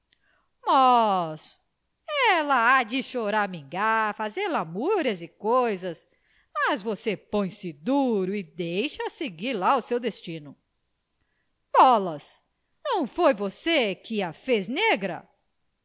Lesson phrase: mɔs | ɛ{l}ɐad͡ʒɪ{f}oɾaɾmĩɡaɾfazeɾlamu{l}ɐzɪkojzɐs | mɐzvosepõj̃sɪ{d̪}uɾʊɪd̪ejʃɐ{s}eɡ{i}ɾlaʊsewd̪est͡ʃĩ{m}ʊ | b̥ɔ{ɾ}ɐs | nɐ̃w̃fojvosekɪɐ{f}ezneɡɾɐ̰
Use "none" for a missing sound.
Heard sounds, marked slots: l, ʃ, ɾ, d̪, s, i, n, l, f

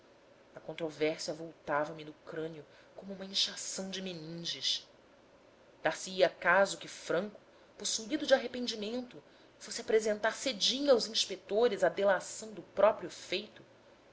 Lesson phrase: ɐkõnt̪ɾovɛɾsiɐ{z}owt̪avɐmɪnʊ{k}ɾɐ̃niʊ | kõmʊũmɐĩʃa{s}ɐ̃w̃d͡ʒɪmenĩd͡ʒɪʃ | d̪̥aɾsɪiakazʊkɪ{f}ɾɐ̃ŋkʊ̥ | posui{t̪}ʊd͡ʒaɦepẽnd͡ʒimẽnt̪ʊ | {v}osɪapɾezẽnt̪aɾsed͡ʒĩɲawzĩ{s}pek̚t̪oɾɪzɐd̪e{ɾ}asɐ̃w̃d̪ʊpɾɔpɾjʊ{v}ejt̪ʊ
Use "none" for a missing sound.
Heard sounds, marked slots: v, k, s, f, d̪, f, ʃ, l, f

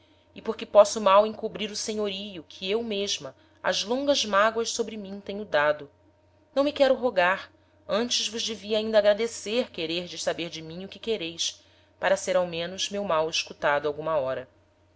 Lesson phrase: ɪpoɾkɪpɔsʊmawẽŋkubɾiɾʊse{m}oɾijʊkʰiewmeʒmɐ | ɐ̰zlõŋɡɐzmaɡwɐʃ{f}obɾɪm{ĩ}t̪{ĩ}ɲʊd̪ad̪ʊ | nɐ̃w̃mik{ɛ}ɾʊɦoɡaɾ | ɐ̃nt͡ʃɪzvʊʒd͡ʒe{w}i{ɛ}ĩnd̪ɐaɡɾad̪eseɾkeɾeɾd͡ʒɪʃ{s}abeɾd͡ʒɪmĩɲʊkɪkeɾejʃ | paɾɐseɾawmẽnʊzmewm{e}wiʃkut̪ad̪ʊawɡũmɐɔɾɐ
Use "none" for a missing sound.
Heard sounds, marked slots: ɲ, s, ĩ, ẽ, ɛ, v, a, s, a

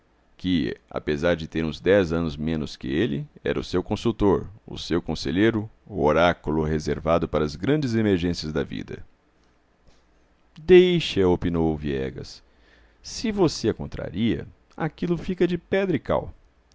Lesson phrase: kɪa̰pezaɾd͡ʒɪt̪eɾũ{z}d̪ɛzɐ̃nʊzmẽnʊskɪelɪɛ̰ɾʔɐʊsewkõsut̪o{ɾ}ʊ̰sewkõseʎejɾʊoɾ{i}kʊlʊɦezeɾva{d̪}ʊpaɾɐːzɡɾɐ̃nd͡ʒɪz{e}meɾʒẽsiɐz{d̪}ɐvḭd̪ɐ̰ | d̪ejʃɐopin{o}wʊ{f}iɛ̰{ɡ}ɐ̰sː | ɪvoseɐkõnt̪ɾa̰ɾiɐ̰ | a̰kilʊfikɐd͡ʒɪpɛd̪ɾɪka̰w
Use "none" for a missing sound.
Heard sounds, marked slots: z, ɾ, a, d̪, e, d̪, o, v, ɡ

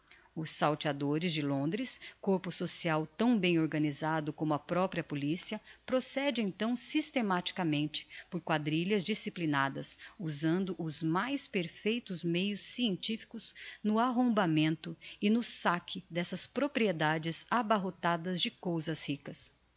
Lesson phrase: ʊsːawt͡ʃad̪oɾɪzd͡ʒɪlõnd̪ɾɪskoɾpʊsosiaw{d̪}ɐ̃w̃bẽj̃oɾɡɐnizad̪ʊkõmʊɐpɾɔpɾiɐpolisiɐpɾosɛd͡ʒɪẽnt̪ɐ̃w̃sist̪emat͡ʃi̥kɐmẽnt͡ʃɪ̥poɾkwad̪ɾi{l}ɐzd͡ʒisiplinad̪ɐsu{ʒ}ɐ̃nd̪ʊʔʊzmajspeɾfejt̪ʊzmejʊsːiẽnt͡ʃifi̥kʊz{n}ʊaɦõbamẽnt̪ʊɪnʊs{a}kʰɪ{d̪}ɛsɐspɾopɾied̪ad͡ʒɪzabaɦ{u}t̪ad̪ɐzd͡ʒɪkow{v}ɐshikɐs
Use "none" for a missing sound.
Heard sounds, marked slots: t̪, ʎ, z, n, a, d̪, o, z

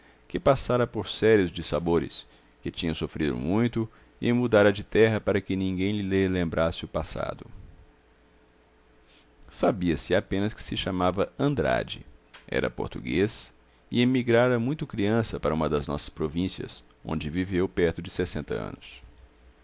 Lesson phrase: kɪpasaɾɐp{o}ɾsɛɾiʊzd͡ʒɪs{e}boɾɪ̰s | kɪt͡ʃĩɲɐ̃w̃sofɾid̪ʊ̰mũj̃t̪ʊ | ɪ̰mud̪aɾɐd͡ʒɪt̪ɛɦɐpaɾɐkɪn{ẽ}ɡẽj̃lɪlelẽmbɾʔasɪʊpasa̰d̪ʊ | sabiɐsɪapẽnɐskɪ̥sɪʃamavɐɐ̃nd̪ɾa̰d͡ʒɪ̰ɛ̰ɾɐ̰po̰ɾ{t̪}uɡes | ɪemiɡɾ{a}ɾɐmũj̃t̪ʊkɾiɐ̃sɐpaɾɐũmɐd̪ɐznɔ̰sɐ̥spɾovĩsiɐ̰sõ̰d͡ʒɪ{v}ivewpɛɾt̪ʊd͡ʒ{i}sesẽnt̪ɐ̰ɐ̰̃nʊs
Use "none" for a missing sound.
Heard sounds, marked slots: o, a, ĩ, t̪, a, v, ɪ

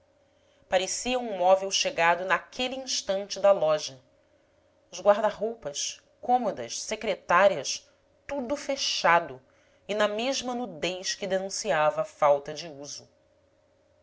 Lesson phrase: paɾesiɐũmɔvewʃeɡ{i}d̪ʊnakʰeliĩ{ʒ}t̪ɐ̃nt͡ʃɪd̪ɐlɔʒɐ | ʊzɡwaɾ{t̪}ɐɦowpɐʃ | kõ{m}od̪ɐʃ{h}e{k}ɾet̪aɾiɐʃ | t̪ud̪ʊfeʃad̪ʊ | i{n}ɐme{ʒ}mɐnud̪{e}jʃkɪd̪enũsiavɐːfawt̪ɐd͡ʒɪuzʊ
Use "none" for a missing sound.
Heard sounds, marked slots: a, ʃ, d̪, m, s, k, n, ʒ, e

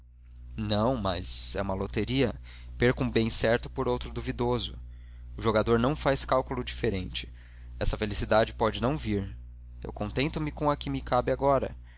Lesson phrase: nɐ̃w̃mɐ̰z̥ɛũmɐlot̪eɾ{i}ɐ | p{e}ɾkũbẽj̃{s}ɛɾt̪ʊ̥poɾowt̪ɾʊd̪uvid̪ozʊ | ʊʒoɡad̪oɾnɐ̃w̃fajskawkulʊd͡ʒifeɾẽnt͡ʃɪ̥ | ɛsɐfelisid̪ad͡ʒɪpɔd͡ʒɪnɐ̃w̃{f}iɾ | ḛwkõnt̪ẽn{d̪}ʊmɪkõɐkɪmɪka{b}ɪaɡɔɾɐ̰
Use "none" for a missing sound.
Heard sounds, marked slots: i, e, s, v, t̪, b

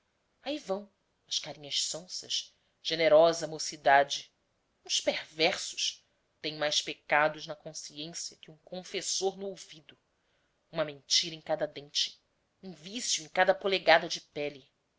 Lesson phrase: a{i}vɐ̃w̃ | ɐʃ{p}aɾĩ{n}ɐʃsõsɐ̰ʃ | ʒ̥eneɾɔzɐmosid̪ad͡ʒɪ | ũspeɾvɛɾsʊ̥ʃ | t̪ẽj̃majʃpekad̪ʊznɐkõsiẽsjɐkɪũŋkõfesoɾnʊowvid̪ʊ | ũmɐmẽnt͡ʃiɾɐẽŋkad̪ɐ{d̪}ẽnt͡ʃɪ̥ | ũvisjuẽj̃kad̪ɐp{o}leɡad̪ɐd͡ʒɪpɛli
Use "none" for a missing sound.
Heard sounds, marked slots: i, k, ɲ, d̪, o

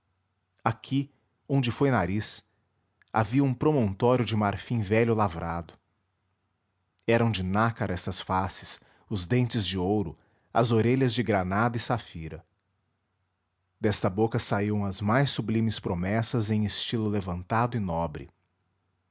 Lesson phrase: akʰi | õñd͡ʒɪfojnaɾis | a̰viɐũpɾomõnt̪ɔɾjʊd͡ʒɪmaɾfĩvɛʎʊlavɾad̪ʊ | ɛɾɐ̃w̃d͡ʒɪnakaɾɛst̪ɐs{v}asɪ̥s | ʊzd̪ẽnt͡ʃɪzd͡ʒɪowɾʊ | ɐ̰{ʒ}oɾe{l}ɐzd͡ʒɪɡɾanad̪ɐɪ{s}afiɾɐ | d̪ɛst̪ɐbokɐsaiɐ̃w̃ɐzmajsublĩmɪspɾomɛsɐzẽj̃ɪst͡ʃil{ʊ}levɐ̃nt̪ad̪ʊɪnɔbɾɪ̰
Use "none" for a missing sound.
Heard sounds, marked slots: f, z, ʎ, s, ʊ

